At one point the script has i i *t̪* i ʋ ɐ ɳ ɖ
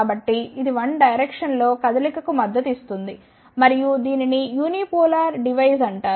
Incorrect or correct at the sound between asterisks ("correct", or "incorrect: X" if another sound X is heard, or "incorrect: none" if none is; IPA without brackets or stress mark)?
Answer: incorrect: d̪